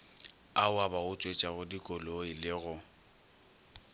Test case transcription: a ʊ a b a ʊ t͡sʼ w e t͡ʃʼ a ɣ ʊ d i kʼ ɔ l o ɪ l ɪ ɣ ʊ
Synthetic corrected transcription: a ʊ a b a ʊ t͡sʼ w e t͡ʃʼ a ɣ ʊ d i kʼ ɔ l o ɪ l ɪ ɣ ʊ

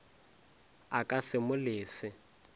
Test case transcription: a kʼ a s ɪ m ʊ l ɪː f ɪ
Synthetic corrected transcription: a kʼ a s ɪ m ʊ l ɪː s ɪ

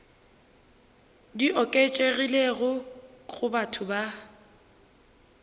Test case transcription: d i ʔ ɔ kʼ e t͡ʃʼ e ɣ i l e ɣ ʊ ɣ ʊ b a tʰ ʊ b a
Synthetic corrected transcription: d i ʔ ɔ kʼ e t͡ʃʼ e ɣ i l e ɣ ʊ ɣ ʊ b a tʰ ʊ b a

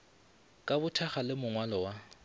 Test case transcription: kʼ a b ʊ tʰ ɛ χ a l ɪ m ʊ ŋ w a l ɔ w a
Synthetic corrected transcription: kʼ a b ʊ tʰ a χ a l ɪ m ʊ ŋ w a l ɔ w a

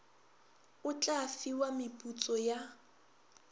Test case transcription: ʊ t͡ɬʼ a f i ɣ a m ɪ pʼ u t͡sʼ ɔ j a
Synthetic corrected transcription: ʊ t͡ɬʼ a f i w a m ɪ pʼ u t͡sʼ ɔ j a

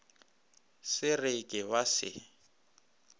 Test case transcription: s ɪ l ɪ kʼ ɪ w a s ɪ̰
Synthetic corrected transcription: s ɪ r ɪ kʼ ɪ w a s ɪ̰

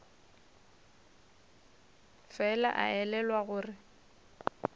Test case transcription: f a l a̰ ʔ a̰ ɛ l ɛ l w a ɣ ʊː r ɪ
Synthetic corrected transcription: f ɛ l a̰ ʔ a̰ ɛ l ɛ l w a ɣ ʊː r ɪ

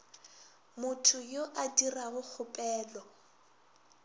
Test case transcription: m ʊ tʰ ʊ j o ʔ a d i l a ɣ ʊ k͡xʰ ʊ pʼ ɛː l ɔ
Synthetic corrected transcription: m ʊ tʰ ʊ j o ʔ a d i r a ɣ ʊ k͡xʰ ʊ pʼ ɛː l ɔ

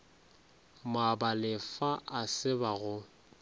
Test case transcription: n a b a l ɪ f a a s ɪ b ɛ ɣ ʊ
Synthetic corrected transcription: m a b a l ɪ f a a s ɪ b a ɣ ʊ

